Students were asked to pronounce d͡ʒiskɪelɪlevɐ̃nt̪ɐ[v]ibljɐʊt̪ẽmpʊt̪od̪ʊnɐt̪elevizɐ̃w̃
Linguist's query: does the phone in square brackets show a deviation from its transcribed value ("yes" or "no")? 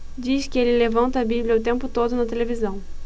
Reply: yes